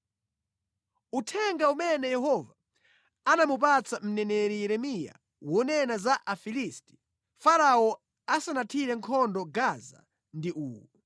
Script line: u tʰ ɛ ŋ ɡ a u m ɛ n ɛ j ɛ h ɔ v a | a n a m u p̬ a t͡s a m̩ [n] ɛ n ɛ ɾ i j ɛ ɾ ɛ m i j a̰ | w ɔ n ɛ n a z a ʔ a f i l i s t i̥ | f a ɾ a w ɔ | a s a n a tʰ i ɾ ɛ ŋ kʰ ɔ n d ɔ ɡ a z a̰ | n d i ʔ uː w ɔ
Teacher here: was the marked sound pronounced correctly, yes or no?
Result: yes